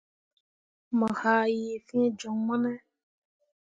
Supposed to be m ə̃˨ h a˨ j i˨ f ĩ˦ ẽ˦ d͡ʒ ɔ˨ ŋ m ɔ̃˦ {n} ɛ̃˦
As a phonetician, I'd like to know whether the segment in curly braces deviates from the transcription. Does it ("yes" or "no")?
no